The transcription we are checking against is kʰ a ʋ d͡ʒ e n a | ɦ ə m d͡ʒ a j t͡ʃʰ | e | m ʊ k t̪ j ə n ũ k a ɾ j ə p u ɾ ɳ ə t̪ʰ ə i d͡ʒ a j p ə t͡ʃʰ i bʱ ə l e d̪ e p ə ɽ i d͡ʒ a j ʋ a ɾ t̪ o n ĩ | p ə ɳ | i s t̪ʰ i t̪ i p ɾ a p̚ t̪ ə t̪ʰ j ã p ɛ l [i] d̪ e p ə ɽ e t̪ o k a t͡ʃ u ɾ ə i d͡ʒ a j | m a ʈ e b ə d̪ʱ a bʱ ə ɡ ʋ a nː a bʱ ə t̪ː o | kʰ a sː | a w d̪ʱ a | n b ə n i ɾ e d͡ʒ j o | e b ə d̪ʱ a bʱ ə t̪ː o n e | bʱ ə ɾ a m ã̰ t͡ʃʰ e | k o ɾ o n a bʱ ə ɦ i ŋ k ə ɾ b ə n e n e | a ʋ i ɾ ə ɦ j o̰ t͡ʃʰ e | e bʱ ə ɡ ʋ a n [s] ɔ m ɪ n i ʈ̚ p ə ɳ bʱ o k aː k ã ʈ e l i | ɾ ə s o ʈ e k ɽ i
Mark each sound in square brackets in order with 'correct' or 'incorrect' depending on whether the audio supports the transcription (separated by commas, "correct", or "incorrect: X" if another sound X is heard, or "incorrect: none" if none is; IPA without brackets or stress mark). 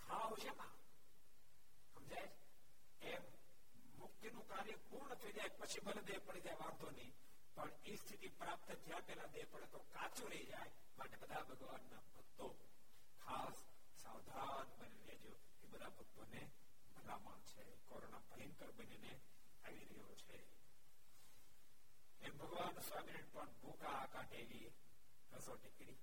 incorrect: a, correct